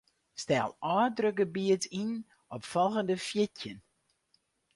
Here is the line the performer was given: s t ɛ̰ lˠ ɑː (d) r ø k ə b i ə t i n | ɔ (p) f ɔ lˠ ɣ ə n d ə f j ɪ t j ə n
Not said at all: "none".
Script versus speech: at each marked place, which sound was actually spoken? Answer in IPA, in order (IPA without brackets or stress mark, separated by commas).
d, p